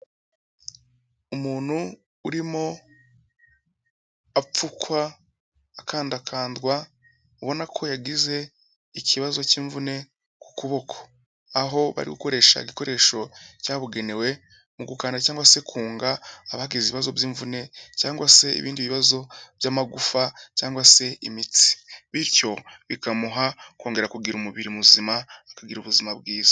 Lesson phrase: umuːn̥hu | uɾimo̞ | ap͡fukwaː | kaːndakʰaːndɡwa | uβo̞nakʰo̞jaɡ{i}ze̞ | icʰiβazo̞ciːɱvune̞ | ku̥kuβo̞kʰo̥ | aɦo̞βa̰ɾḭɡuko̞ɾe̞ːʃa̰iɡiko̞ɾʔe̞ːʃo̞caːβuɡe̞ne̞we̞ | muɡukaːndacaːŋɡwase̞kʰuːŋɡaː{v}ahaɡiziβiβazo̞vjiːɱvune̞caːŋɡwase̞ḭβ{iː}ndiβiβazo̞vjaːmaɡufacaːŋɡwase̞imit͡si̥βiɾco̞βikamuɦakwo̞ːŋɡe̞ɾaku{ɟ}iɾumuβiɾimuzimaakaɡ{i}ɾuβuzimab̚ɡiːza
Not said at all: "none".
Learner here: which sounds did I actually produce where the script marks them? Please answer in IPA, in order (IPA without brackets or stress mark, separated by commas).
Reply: i, β, iː, ɡ, i